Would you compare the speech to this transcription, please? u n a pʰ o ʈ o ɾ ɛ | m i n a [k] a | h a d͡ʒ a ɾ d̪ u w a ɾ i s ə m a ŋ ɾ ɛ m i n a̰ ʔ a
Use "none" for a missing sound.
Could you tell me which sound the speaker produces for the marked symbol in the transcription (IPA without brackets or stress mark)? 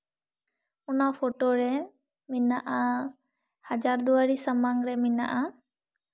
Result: ʔ